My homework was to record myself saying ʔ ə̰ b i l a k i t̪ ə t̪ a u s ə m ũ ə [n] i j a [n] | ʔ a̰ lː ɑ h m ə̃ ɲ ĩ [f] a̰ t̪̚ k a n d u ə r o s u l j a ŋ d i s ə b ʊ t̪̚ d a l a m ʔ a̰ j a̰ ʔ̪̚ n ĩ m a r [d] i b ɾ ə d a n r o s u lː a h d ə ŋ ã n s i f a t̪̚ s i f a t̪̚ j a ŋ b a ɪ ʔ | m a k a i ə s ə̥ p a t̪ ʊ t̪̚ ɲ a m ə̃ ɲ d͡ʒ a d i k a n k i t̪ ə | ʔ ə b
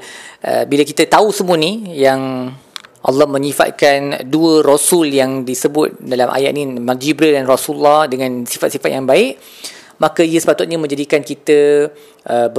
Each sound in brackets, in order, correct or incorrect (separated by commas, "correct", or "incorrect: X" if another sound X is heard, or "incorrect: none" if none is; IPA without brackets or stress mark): correct, incorrect: ŋ, correct, incorrect: d͡ʒ